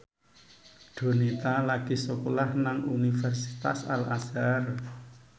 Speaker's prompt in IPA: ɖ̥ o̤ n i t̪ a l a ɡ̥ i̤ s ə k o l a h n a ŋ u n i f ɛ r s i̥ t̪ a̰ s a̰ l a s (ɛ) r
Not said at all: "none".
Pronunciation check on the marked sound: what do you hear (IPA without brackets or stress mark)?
a